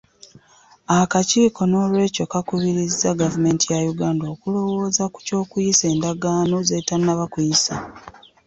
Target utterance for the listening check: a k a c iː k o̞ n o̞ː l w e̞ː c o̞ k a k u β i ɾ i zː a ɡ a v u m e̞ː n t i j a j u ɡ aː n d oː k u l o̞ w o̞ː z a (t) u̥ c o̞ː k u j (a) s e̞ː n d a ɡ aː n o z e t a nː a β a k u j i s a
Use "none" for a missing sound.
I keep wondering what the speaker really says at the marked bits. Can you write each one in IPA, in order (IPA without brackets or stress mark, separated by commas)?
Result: k, i